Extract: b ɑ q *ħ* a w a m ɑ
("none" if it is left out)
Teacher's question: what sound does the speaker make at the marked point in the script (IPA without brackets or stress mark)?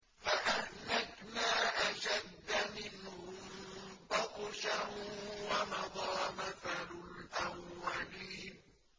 ʃ